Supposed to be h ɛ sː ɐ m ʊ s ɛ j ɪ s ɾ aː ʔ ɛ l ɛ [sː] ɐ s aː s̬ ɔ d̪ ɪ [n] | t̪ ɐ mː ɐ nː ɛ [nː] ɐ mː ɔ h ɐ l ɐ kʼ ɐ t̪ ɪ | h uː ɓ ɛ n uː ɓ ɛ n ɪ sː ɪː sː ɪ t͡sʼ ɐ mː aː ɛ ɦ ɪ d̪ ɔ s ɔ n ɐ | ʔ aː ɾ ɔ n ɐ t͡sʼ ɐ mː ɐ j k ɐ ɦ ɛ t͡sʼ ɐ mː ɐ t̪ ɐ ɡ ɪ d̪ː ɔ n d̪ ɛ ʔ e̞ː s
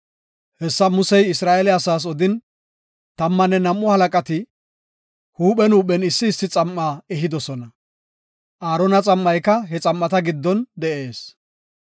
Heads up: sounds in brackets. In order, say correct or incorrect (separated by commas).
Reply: incorrect, correct, incorrect